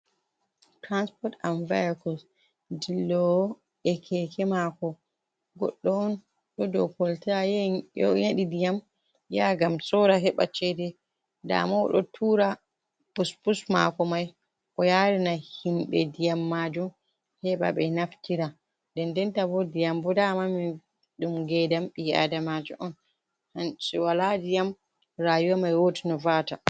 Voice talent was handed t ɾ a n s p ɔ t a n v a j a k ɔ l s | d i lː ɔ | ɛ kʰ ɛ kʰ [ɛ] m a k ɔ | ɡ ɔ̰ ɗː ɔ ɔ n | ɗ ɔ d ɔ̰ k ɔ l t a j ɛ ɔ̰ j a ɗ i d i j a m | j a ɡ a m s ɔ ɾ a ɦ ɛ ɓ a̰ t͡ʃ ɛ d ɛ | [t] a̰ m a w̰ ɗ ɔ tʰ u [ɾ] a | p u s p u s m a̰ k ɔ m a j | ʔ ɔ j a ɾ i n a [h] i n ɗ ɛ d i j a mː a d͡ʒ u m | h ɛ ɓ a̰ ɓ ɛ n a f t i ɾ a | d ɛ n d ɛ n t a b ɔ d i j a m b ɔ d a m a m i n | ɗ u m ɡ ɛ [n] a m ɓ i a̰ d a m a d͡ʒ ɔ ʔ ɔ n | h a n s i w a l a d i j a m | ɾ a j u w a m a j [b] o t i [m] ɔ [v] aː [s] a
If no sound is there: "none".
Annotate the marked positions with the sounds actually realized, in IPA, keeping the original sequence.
ɛ, d, ɾ, h, d, w, n, v, t

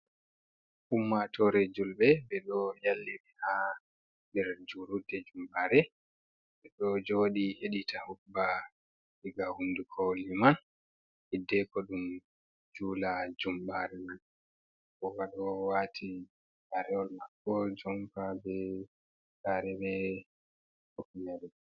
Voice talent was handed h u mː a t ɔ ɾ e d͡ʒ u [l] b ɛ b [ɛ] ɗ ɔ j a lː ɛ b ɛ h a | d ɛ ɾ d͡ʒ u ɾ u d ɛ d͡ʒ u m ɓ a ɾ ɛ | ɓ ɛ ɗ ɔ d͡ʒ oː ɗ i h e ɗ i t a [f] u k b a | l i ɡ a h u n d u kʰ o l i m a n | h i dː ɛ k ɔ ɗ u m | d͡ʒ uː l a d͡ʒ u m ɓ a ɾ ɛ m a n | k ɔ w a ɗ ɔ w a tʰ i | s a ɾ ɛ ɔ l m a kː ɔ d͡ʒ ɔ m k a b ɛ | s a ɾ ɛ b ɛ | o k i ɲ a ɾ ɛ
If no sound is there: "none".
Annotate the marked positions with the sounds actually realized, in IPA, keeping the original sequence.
l, ɛ, h

